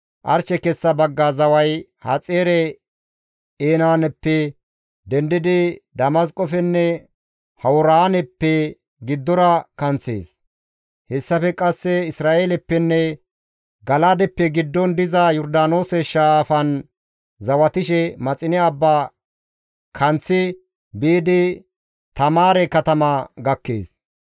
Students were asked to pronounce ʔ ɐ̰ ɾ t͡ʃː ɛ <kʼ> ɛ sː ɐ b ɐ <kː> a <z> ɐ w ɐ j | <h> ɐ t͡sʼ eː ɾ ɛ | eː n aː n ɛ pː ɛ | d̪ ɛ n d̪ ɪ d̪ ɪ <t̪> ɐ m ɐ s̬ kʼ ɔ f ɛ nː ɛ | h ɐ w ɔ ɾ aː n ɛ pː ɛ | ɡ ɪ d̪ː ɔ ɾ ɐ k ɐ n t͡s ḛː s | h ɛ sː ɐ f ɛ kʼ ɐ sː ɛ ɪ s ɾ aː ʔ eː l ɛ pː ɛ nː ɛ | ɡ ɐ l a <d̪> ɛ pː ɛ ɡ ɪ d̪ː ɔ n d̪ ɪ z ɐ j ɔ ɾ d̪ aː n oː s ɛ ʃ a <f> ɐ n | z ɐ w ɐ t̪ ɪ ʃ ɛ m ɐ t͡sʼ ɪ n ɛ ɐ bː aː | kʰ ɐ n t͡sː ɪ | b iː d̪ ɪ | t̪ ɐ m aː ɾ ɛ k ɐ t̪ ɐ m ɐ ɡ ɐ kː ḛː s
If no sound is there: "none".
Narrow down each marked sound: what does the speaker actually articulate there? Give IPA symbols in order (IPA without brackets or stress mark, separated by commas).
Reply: k, ɡː, z, h, d̪, d̪, f